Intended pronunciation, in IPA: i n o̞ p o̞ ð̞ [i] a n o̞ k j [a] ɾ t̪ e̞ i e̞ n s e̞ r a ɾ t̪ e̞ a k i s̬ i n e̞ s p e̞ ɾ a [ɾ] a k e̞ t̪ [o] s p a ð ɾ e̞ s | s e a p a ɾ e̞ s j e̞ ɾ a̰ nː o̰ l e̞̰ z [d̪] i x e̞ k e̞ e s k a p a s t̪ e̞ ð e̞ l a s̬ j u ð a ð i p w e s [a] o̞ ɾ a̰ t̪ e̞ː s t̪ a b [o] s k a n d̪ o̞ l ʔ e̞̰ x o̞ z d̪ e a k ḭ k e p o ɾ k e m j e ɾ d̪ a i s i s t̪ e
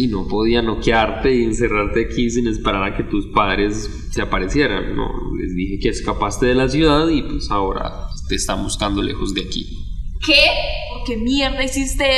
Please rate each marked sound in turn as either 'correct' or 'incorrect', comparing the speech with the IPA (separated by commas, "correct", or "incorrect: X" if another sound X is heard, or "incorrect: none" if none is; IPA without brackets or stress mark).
correct, correct, correct, incorrect: u, correct, correct, incorrect: u